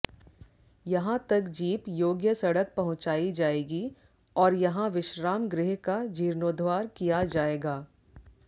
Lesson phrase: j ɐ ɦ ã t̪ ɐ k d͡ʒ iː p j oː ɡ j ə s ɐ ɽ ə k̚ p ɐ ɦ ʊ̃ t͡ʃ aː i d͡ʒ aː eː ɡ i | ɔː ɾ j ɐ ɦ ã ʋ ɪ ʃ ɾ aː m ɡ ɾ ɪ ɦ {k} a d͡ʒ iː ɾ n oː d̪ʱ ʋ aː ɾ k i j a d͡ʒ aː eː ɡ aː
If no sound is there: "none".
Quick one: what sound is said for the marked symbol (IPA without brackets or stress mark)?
k